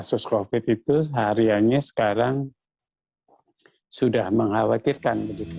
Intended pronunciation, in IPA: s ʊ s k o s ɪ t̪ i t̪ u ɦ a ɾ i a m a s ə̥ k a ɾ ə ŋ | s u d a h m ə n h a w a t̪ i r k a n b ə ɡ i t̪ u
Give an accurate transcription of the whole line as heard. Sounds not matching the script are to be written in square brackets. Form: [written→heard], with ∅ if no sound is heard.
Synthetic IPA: s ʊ s k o [s→f] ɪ t̪ i t̪ u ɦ a ɾ i a [m→ɲ] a s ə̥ k a ɾ [ə→a] ŋ | s u d a h m ə [n→ŋ] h a w a t̪ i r k a n b ə ɡ i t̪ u